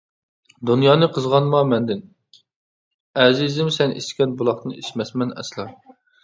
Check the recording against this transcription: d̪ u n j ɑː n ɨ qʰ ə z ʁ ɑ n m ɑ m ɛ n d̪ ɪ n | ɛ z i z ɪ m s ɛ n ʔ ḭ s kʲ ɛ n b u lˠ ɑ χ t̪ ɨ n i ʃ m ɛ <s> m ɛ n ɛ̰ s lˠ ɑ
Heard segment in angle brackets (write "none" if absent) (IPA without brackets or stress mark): s